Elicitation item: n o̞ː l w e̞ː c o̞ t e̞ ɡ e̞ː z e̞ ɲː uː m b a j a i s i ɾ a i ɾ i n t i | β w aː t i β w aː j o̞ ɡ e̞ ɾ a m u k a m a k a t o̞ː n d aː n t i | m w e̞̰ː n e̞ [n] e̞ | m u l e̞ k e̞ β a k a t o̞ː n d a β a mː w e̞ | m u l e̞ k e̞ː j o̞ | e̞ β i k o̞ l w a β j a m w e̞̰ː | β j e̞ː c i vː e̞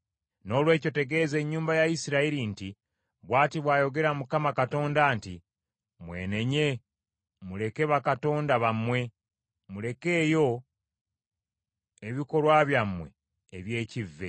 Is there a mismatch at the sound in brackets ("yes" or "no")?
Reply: yes